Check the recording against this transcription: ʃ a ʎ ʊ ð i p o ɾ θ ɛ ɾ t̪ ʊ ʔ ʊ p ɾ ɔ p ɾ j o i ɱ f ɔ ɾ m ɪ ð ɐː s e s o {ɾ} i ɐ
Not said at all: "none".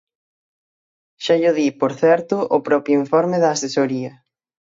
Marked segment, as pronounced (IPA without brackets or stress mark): ɾ